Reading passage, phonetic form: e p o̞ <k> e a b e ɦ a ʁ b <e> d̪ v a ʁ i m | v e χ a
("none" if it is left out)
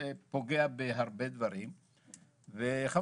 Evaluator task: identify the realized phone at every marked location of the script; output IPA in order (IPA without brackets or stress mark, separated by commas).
ɡ, e